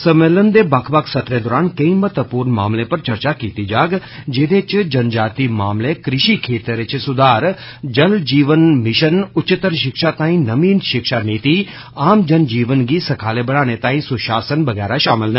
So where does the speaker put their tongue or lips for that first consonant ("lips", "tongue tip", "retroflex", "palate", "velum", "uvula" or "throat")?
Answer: tongue tip